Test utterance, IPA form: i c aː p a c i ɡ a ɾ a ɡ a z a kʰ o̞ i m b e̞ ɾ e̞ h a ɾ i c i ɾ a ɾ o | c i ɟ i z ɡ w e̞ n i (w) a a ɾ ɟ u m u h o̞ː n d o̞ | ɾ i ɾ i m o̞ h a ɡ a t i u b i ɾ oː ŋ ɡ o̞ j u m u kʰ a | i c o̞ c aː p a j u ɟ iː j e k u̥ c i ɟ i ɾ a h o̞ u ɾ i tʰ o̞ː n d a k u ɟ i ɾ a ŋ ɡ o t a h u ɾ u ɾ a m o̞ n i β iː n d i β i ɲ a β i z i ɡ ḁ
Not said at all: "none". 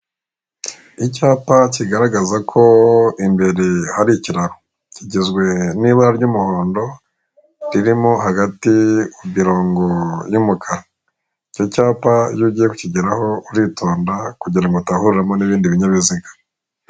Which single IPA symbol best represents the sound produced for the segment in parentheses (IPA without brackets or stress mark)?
β